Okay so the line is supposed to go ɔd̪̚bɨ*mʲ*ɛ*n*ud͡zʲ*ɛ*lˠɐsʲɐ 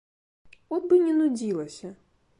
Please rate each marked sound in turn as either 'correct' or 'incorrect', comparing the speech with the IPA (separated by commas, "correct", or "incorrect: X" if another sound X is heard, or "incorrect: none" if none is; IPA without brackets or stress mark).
incorrect: nʲ, correct, incorrect: i